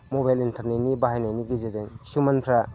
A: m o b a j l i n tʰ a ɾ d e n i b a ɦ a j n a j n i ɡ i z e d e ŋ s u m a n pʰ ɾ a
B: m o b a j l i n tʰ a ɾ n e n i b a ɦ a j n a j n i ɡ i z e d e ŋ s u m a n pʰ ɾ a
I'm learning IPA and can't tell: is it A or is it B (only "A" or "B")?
B